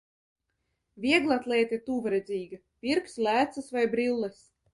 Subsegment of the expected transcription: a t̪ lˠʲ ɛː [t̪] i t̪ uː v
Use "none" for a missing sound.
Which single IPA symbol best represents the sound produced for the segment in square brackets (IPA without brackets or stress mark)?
t̪